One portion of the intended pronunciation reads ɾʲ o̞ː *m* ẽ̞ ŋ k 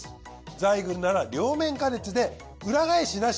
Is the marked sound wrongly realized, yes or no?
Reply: no